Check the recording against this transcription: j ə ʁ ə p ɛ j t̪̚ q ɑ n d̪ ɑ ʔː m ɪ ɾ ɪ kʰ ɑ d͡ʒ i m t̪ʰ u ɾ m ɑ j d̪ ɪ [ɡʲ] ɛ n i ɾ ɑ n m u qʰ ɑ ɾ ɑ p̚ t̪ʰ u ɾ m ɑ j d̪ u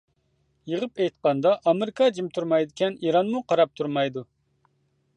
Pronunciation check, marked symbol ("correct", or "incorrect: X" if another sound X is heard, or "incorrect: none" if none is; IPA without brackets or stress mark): incorrect: kʲ